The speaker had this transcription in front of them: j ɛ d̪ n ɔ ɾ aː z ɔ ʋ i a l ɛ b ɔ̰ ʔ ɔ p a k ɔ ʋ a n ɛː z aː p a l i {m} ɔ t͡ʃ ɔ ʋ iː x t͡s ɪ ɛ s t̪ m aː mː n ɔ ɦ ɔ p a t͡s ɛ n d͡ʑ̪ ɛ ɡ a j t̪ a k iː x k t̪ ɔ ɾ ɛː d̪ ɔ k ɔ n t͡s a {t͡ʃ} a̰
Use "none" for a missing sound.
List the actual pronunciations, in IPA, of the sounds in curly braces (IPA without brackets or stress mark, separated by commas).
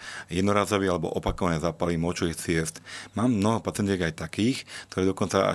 m, none